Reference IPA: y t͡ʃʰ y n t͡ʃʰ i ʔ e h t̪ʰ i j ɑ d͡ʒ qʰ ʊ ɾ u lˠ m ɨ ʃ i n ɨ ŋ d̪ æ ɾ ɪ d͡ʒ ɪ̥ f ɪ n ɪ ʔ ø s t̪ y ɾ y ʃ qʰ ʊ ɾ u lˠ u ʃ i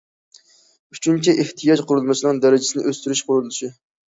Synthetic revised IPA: y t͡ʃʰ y n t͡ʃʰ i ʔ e h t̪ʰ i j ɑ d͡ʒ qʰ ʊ ɾ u lˠ m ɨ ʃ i n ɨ ŋ d̪ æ ɾ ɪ d͡ʒ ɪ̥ s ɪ n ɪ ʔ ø s t̪ y ɾ y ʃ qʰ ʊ ɾ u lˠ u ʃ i